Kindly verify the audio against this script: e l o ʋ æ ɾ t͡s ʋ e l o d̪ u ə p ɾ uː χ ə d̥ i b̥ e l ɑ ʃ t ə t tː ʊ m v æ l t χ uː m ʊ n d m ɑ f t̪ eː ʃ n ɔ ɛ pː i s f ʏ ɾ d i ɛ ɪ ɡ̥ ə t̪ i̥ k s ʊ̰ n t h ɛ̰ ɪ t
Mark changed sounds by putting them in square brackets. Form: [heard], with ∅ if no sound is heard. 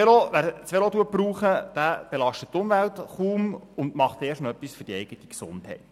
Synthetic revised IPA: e l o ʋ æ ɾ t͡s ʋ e l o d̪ u ə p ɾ uː χ ə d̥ [æ] b̥ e l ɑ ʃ t ə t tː ʊ m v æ l t χ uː m ʊ n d m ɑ [χ] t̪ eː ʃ n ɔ [œ] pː i s f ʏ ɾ d i ɛ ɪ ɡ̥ ə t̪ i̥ k s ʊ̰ n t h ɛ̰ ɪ t